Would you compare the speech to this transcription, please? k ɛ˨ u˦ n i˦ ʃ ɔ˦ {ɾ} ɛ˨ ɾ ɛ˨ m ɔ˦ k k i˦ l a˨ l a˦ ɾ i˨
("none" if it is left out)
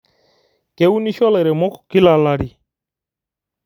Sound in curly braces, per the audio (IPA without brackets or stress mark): l